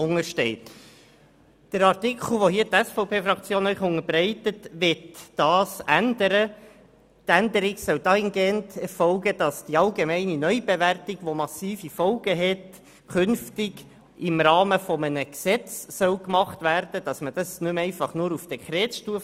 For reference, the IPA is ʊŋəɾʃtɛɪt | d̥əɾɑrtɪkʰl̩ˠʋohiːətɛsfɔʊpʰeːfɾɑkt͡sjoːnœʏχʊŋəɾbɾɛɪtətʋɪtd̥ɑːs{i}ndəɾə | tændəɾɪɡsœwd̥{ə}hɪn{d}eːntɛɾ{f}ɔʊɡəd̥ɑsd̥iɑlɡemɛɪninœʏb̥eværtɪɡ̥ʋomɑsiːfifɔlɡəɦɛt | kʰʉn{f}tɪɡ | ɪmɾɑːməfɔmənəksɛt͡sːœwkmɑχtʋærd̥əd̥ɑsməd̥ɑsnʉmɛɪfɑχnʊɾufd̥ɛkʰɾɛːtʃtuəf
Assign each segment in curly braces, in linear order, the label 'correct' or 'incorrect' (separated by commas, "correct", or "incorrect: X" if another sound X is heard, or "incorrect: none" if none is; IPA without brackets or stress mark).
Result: incorrect: æ, incorrect: ɑ, incorrect: ɡ, correct, correct